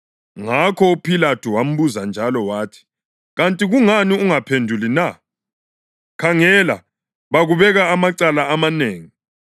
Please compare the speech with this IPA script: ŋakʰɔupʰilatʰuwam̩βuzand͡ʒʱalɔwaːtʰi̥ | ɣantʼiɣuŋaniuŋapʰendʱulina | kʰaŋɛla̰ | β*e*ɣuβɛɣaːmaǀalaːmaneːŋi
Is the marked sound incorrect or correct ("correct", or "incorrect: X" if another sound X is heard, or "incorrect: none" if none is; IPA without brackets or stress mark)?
incorrect: a